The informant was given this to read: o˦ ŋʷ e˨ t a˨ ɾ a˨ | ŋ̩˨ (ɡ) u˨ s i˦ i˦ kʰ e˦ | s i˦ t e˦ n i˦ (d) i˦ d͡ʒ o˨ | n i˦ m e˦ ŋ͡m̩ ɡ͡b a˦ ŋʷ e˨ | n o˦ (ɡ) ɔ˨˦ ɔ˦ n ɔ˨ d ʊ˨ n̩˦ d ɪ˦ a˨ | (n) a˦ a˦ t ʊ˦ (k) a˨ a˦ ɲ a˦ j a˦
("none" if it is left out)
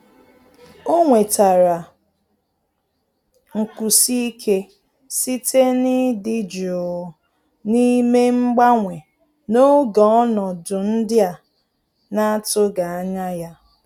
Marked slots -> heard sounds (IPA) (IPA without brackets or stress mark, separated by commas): k, d, ɡ, n, ɡ